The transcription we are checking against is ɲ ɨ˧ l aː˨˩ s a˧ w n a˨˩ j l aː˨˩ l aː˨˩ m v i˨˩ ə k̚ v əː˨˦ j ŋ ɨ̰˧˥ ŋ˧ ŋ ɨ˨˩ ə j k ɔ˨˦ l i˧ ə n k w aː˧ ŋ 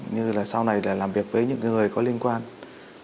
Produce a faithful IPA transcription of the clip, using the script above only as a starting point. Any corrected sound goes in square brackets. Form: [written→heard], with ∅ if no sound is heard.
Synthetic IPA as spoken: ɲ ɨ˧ l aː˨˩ s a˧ w n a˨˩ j l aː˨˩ l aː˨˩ m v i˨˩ ə k̚ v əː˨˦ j [ŋ→ɲ] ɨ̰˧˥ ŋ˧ ŋ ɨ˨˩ ə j k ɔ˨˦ l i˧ ə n k w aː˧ [ŋ→n]